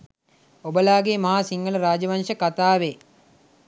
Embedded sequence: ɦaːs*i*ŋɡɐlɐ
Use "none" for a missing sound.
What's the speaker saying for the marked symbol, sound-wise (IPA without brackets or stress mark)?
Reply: i